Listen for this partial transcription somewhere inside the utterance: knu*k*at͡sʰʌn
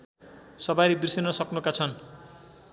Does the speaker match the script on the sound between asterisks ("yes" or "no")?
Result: yes